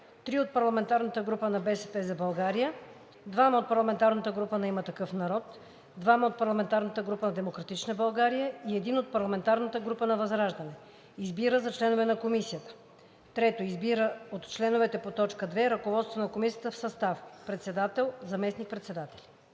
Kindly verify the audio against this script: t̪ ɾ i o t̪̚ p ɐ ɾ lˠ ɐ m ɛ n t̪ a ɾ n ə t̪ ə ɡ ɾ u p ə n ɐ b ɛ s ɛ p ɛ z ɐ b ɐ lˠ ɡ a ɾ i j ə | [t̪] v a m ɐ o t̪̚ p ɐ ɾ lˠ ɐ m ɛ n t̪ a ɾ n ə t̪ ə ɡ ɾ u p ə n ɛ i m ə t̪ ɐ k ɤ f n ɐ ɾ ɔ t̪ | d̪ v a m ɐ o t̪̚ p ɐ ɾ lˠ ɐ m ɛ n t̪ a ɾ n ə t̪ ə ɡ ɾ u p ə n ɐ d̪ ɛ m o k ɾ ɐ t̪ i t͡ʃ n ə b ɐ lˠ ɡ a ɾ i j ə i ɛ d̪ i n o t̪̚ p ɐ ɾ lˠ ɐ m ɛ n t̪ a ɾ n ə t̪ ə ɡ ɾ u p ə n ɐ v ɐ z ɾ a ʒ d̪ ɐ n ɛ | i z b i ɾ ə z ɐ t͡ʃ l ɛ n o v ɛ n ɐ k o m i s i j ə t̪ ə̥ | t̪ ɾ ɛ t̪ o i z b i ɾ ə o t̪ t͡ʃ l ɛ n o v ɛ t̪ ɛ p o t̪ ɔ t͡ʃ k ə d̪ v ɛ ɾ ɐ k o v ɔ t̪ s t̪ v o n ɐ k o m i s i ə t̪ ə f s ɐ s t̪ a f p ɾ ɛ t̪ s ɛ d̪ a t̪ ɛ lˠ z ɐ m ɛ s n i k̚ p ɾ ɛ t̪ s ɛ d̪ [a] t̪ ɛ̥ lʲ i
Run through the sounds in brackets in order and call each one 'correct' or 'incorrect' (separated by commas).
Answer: incorrect, correct